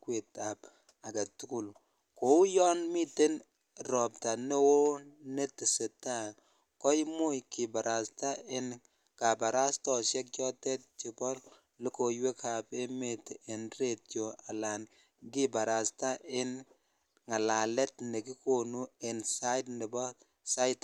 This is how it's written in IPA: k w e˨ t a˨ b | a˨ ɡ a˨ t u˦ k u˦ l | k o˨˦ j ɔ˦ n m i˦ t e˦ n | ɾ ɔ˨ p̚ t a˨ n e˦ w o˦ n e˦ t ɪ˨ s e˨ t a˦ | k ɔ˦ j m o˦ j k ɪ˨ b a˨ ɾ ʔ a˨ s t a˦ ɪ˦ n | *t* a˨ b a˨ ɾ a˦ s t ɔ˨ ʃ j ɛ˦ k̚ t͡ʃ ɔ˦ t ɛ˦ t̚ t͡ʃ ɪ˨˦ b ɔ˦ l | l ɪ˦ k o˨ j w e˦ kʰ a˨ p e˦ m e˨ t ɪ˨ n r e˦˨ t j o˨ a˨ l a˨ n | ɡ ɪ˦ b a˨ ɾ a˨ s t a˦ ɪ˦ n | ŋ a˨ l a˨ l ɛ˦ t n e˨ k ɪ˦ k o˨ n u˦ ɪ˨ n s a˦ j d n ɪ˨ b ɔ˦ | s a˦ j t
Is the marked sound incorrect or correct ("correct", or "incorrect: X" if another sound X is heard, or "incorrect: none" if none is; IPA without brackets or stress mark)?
incorrect: k